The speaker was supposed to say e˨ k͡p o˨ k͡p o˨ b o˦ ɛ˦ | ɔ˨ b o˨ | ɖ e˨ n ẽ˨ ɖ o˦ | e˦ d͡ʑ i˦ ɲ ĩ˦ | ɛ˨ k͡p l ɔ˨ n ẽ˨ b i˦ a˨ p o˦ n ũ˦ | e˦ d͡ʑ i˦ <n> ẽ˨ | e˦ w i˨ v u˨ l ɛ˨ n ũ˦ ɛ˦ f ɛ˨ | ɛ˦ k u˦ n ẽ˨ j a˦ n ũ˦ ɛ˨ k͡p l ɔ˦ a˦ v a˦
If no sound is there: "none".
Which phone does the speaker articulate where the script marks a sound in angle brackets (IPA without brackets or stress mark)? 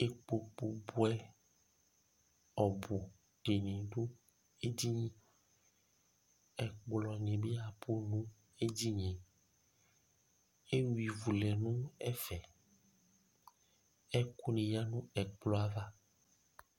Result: ɲ